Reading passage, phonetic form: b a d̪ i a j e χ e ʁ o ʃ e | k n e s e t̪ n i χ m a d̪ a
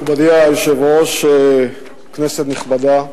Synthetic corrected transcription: b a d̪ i a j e ʃ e v o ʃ e | k n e s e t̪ n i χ b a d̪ a